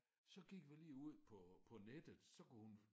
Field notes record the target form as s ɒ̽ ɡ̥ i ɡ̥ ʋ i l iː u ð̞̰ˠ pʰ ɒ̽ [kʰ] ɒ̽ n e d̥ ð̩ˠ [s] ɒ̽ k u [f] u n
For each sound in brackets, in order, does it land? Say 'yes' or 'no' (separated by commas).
no, yes, no